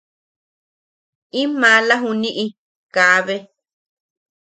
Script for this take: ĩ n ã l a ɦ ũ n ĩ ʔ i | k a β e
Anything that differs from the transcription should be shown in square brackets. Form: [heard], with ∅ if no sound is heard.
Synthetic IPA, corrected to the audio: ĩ [m] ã l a ɦ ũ n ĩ ʔ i | k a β e